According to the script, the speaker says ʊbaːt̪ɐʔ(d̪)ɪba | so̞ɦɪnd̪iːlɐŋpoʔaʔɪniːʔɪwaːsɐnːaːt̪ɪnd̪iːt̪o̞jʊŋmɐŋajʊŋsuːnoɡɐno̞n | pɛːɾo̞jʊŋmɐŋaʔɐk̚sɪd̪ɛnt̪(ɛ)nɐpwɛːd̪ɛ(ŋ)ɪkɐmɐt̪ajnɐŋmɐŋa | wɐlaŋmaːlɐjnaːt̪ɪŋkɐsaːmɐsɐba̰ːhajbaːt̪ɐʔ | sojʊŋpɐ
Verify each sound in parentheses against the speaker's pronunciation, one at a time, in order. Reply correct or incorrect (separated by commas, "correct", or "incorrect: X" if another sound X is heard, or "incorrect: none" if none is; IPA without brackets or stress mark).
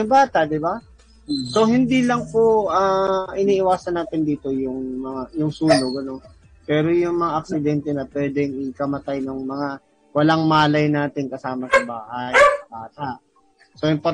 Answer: correct, correct, correct